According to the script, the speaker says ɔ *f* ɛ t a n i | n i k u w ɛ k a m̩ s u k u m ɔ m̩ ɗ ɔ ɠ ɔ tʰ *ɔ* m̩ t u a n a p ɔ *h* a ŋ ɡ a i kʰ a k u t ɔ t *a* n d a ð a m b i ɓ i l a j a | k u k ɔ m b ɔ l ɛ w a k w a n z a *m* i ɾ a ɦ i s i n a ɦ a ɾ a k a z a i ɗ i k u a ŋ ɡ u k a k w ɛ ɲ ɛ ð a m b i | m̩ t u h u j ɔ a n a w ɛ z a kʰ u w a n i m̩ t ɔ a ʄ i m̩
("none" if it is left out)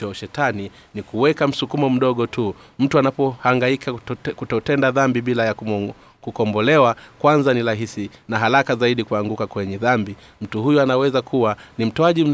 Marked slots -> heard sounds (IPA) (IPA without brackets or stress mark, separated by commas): ʃ, u, h, ɛ, n